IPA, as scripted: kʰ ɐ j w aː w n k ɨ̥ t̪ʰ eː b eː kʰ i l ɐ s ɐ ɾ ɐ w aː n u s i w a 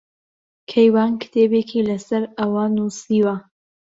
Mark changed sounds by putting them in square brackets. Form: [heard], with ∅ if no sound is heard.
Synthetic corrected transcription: kʰ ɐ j w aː [∅] n k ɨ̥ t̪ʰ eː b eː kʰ i l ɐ s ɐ ɾ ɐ w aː n u s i w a